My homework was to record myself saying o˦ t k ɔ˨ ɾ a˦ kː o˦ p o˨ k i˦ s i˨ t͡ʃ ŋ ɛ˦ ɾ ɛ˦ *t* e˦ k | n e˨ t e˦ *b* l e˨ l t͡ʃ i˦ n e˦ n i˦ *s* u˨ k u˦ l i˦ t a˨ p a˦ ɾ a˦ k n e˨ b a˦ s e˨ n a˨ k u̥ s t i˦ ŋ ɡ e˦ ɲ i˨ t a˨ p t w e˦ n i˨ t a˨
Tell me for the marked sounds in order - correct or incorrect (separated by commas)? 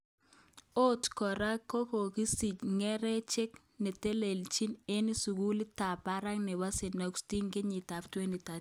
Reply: incorrect, incorrect, correct